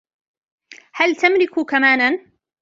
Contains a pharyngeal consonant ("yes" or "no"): no